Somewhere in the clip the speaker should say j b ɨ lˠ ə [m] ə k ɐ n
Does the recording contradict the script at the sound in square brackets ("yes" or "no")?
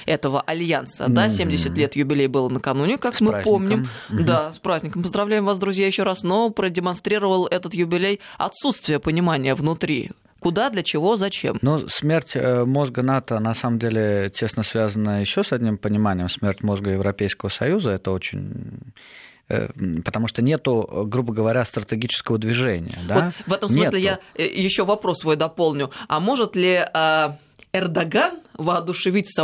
yes